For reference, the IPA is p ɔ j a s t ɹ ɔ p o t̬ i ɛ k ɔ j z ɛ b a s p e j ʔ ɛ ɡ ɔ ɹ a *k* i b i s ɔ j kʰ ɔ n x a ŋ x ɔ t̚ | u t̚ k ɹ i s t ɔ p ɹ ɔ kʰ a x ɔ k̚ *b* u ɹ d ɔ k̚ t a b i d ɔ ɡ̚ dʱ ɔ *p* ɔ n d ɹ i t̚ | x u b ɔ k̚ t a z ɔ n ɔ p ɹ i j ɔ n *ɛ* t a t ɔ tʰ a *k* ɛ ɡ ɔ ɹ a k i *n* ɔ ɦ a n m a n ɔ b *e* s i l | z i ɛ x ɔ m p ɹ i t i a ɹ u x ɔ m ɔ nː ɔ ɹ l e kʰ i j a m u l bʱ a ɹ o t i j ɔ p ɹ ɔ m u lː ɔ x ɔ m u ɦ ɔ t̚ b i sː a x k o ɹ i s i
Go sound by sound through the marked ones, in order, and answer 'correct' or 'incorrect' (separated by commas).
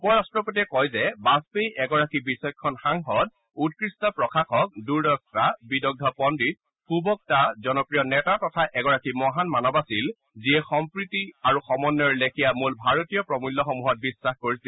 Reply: correct, incorrect, correct, correct, incorrect, incorrect, incorrect